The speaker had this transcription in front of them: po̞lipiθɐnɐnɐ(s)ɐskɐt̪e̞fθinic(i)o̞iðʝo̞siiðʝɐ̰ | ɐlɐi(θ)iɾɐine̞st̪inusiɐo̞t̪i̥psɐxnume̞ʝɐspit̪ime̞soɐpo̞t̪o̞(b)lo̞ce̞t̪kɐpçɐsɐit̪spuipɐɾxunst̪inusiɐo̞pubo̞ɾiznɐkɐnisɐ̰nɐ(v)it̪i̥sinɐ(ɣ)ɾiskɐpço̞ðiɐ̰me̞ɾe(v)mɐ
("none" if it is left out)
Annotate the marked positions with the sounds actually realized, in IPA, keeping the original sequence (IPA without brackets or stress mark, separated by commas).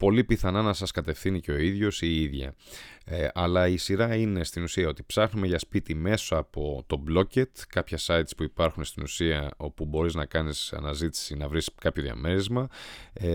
s, e, s, b, z, v, z